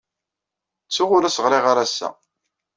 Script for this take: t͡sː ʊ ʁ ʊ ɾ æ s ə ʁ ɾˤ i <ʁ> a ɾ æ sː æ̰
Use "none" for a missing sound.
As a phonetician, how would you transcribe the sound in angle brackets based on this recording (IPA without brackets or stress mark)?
ʁ